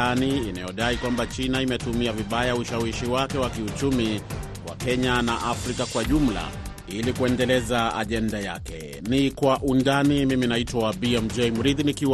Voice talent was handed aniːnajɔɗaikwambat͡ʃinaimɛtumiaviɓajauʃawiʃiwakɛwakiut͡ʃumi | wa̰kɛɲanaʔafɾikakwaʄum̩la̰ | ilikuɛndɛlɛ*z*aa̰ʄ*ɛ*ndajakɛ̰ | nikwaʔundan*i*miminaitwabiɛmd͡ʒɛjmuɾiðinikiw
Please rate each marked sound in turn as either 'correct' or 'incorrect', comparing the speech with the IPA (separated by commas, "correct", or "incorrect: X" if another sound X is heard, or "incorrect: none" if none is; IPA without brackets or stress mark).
correct, correct, correct